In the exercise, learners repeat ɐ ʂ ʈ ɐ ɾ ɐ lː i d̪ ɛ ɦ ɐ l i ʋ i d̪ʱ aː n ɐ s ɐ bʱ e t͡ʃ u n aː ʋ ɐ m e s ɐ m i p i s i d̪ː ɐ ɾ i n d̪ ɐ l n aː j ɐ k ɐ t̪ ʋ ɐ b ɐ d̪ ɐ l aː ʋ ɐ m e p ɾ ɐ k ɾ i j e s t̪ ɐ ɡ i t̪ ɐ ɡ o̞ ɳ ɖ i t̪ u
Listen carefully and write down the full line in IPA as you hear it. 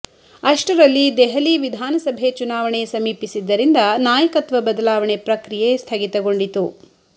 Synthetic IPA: ɐ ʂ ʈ ɐ ɾ ɐ lː i d̪ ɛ ɦ ɐ l i ʋ i d̪ʱ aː n ɐ s ɐ bʱ e t͡ʃ u n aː ʋ ɐ ɳ e s ɐ m iː p i s i d̪ː ɐ ɾ i n d̪ ɐ n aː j ɐ k ɐ t̪ ʋ ɐ b ɐ d̪ ɐ l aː ʋ ɐ ɳ e p ɾ ɐ k ɾ i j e s t̪ʰ ɐ ɡ i t̪ ɐ ɡ o̞ ɳ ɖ i t̪ u